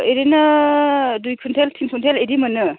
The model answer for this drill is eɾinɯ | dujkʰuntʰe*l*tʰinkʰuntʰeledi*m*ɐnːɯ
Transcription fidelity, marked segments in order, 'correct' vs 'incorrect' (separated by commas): correct, correct